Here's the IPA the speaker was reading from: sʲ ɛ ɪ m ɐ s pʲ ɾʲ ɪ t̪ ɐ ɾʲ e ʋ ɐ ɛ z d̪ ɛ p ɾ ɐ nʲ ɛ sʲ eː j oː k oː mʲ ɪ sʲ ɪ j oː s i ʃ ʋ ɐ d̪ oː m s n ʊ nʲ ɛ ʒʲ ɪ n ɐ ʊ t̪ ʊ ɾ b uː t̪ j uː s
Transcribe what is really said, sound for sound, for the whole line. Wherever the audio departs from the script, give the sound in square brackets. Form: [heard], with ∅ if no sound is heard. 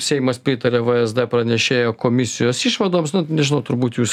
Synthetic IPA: sʲ ɛ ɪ m ɐ s pʲ ɾʲ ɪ t̪ ɐ ɾʲ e ʋ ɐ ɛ z d̪ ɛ p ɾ ɐ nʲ ɛ [ʃʲ] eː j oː k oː mʲ ɪ sʲ ɪ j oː s i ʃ ʋ ɐ d̪ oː m s n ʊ nʲ ɛ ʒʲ ɪ n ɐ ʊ t̪ ʊ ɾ b uː t̪ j uː s